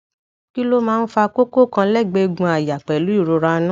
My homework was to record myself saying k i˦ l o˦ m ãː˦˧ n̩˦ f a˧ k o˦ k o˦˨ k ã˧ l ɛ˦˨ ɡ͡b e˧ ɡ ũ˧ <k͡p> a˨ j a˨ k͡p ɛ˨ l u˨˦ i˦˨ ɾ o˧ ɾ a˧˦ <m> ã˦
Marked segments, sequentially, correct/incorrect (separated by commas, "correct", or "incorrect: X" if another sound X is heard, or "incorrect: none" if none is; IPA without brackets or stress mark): incorrect: none, incorrect: n